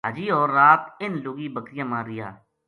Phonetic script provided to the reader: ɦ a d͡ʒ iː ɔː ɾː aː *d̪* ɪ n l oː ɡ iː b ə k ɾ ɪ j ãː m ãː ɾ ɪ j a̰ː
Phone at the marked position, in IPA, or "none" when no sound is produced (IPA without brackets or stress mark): t̪